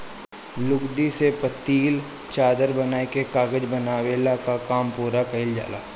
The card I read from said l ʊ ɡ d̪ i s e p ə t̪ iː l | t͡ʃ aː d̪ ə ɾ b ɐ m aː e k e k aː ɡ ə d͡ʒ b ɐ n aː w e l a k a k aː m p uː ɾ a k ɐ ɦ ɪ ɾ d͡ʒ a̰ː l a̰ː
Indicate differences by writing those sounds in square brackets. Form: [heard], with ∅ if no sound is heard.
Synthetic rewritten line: l ʊ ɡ d̪ i s e p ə t̪ iː l | t͡ʃ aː d̪ ə ɾ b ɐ [n] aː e k e k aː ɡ ə d͡ʒ b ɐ n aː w e l a k a k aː m p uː ɾ a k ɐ ɦ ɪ [l] d͡ʒ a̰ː l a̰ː